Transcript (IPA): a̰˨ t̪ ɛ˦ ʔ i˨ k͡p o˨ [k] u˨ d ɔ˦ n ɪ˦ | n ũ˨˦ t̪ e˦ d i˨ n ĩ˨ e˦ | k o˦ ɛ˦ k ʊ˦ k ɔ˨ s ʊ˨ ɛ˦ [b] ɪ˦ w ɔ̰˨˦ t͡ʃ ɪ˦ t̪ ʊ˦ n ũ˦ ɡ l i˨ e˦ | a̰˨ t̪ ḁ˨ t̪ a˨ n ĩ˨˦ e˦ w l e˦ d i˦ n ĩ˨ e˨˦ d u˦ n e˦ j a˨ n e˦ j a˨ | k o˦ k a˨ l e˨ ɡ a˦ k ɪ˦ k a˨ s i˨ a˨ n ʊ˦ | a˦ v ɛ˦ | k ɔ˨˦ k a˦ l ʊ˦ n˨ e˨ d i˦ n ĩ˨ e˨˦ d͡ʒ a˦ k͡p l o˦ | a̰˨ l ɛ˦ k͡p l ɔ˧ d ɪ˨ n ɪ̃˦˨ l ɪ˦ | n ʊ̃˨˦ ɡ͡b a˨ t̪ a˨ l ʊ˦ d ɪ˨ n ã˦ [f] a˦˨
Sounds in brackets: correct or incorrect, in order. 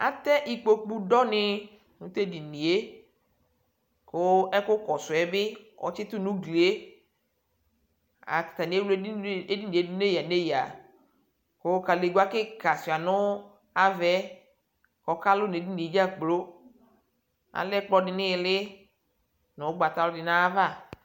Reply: incorrect, correct, incorrect

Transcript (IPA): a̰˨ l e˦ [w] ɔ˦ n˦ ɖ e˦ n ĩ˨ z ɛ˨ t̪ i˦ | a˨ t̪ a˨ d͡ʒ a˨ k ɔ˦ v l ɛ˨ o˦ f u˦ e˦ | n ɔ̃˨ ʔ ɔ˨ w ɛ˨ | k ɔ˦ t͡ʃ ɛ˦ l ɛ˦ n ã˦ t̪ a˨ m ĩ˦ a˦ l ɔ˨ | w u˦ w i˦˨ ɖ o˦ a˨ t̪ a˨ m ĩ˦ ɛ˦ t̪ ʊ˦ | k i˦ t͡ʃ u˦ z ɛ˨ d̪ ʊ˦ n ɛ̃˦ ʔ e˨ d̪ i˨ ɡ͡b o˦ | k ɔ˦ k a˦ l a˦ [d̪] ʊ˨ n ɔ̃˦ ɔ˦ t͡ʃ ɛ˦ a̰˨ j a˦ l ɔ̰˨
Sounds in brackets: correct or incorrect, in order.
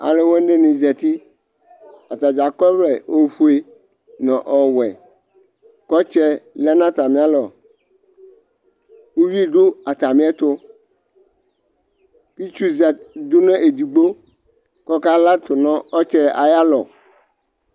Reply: correct, incorrect

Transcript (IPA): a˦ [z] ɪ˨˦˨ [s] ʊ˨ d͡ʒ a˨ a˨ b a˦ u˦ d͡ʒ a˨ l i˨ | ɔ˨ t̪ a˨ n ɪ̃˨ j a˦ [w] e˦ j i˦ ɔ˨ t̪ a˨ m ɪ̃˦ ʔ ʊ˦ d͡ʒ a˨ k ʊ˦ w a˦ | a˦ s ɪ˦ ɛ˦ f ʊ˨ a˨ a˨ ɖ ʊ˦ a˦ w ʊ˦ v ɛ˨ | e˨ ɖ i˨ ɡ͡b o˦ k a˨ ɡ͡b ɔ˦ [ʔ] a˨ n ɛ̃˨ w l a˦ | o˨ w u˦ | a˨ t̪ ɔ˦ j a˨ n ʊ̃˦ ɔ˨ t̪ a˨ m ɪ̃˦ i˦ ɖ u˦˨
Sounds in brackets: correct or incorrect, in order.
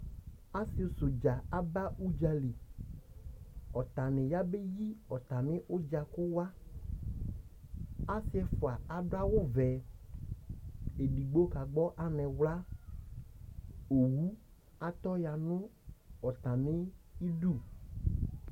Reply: incorrect, correct, incorrect, correct

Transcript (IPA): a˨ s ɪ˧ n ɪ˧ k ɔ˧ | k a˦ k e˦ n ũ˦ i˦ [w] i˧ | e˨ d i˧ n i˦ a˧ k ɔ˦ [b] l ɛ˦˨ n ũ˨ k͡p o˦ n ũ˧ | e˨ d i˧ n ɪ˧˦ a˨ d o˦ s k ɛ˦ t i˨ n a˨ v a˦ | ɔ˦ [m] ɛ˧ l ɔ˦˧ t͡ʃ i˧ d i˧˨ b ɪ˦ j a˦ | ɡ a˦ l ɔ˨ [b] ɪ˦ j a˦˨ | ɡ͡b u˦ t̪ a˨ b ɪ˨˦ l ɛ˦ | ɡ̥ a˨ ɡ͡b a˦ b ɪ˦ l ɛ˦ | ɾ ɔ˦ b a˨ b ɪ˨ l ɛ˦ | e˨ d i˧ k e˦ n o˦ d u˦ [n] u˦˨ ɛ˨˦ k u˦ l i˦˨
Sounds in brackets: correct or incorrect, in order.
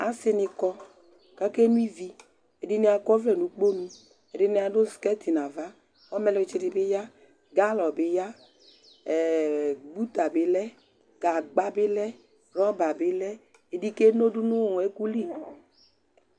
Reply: incorrect, incorrect, correct, correct, correct

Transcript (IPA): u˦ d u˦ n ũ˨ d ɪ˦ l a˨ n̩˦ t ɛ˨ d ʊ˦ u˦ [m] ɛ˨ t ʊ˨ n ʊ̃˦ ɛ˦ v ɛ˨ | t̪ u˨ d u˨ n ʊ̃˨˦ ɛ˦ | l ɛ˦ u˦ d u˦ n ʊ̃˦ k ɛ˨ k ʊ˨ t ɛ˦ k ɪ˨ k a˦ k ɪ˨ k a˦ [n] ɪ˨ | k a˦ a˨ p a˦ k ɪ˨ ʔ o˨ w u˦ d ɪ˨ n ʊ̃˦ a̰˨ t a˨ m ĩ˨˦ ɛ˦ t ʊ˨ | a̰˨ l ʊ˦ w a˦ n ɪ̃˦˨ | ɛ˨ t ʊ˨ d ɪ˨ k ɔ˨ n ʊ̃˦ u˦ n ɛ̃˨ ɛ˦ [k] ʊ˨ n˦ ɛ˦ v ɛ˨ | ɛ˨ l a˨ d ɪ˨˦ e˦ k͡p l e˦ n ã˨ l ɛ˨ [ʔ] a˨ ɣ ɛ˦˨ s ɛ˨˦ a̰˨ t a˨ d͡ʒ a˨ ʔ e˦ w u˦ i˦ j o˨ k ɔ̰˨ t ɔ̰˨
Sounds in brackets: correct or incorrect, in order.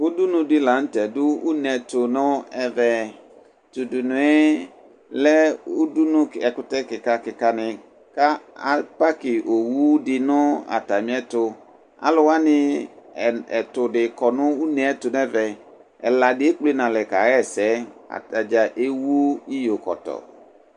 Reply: incorrect, correct, incorrect, incorrect

